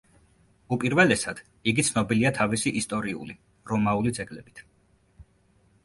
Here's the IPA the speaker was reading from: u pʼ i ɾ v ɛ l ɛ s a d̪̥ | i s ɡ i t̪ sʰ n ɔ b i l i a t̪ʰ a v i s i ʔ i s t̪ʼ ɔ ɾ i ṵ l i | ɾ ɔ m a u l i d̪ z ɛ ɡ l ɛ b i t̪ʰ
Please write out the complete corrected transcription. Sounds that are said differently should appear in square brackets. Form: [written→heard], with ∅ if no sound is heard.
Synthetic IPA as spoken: u pʼ i ɾ v ɛ l ɛ s a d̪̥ | i [s→∅] ɡ i t̪ sʰ n ɔ b i l i a t̪ʰ a v i s i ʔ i s t̪ʼ ɔ ɾ i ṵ l i | ɾ ɔ m a u l i d̪ z ɛ ɡ l ɛ b i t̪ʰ